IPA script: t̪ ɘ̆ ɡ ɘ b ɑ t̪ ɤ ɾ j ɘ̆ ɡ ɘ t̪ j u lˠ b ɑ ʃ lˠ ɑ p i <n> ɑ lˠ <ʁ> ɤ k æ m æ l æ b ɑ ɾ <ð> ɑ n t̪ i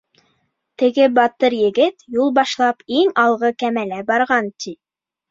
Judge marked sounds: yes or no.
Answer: no, yes, no

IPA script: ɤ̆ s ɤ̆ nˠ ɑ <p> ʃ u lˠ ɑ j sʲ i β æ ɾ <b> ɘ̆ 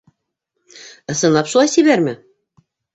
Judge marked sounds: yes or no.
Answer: yes, no

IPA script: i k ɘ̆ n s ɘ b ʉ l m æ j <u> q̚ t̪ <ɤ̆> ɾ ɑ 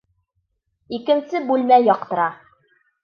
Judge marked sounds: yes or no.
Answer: no, yes

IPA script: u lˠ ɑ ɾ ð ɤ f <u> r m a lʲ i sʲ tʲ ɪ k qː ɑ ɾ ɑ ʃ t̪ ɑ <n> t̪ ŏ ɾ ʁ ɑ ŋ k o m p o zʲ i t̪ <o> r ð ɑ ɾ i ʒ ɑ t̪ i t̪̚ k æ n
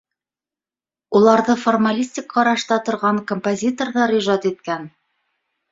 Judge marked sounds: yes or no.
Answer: no, no, yes

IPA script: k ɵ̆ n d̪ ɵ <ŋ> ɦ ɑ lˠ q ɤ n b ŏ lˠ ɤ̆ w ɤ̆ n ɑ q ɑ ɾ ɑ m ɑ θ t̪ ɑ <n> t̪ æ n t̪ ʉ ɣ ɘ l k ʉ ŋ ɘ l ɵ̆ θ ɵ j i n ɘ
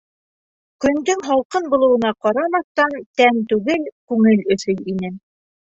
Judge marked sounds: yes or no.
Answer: yes, yes

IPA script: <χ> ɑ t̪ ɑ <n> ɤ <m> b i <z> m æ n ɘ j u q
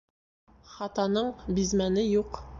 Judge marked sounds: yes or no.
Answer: yes, yes, no, yes

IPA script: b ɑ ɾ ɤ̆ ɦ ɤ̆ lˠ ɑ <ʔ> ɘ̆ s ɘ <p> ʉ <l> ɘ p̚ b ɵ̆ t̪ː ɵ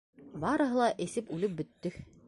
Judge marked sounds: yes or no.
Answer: yes, yes, yes

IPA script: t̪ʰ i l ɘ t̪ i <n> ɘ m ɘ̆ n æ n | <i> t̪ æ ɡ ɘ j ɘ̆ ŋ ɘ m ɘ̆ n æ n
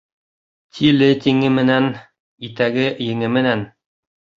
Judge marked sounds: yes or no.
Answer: no, yes

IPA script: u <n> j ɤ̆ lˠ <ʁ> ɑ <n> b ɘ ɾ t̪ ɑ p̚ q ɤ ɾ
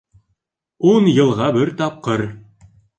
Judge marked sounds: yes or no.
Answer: yes, yes, no

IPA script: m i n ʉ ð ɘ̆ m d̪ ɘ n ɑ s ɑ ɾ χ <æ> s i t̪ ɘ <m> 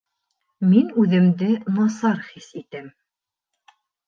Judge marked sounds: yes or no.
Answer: no, yes

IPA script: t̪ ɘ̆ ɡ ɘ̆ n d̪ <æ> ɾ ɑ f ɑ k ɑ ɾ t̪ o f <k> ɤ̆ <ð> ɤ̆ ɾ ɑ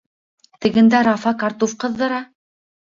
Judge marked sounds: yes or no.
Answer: yes, no, no

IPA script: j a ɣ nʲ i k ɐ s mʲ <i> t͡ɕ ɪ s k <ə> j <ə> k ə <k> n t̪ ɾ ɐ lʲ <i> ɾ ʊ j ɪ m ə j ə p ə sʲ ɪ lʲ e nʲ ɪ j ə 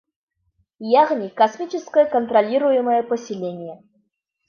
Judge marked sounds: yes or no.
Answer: yes, yes, yes, no, yes

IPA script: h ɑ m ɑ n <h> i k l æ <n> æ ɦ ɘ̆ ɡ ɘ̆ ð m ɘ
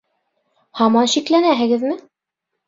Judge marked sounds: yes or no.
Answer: no, yes

